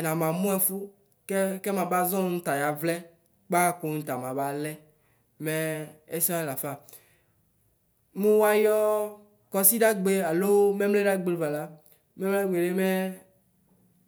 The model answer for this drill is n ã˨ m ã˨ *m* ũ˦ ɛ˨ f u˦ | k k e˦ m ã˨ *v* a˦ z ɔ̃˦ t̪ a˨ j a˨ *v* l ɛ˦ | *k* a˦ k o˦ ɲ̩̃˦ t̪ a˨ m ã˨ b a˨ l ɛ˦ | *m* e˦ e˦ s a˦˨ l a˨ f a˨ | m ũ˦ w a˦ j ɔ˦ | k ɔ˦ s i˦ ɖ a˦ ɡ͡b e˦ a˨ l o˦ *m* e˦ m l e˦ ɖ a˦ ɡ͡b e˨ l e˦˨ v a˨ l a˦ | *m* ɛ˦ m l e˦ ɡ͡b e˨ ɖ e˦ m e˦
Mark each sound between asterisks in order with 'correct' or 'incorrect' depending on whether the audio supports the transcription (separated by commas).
correct, incorrect, correct, incorrect, correct, correct, correct